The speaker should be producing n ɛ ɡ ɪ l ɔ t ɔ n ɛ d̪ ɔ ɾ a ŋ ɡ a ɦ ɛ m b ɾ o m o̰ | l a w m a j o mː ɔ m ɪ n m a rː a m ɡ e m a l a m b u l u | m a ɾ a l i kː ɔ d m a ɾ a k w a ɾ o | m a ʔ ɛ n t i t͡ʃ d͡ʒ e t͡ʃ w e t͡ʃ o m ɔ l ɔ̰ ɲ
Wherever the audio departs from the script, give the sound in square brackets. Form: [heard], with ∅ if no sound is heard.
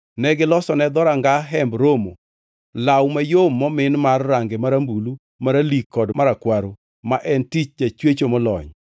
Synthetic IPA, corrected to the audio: n ɛ ɡ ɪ l ɔ [s] ɔ n ɛ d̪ ɔ ɾ a ŋ ɡ a ɦ ɛ m b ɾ o m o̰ | l a w m a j o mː ɔ m ɪ n m a rː a [ŋ] ɡ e m a [ɾ] a m b u l u | m a ɾ a l i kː ɔ d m a ɾ a k w a ɾ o | m a ʔ ɛ n t i t͡ʃ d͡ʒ [a] t͡ʃ w e t͡ʃ o m ɔ l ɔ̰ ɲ